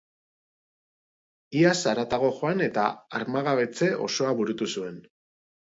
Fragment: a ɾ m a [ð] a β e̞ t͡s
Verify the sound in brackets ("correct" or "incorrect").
incorrect